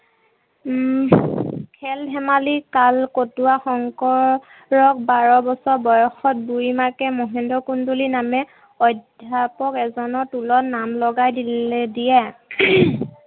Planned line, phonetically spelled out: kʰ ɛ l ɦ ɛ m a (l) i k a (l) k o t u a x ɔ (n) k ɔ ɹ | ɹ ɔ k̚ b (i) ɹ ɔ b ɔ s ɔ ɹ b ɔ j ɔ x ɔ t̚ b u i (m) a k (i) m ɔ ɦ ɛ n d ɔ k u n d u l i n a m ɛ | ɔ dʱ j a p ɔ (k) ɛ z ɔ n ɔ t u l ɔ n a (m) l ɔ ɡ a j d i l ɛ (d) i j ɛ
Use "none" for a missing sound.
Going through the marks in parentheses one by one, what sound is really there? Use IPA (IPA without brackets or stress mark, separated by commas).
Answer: l, l, ŋ, a, m, ɛ, k, m, d